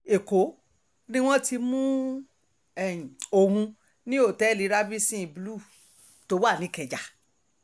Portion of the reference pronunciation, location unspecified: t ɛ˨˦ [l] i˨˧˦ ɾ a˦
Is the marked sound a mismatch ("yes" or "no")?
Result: no